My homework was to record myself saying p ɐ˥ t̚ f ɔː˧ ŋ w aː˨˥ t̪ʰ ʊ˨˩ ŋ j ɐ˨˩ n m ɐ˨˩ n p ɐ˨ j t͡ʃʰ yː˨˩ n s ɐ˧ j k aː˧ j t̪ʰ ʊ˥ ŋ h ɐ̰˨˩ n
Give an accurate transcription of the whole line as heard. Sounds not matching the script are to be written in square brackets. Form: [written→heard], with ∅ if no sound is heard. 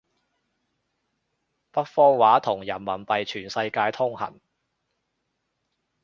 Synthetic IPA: p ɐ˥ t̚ f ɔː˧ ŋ w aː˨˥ t̪ʰ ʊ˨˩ ŋ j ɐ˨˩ n m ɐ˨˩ n p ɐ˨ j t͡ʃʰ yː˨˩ n s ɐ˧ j k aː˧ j t̪ʰ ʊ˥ ŋ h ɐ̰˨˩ n